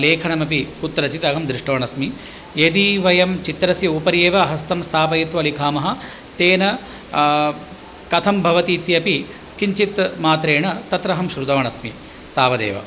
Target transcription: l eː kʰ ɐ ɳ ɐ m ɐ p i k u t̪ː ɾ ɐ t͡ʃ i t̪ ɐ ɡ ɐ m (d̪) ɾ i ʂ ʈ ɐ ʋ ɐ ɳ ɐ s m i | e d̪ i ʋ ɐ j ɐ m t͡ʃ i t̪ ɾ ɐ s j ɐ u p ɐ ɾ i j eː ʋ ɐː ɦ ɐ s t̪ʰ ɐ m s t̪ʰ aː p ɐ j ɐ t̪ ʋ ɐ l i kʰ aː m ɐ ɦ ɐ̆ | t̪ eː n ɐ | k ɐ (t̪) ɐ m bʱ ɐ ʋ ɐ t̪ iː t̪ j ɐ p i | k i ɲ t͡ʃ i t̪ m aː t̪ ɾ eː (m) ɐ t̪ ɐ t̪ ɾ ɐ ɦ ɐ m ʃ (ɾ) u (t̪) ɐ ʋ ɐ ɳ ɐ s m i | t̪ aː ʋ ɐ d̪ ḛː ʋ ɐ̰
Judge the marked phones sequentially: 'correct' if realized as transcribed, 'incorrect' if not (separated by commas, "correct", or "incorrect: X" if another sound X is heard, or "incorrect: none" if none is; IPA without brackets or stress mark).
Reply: correct, incorrect: t̪ʰ, incorrect: ɳ, correct, incorrect: d̪